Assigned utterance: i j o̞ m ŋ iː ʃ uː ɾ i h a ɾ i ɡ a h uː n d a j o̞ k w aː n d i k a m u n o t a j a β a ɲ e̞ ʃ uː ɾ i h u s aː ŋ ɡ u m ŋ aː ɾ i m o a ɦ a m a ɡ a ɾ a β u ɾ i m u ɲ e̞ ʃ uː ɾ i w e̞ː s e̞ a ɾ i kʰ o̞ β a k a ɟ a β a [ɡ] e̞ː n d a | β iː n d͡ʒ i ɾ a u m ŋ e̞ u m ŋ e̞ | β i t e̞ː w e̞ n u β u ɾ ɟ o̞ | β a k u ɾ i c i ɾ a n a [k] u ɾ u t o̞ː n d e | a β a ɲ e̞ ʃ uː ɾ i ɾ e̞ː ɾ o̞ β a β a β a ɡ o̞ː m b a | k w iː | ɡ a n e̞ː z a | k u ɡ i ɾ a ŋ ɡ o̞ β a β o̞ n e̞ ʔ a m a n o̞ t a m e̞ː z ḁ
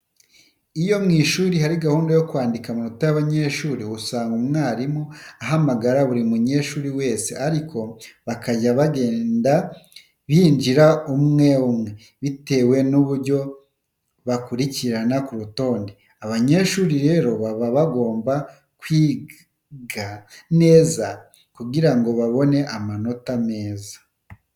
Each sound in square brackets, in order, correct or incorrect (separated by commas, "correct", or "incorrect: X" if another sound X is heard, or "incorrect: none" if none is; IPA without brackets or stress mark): correct, correct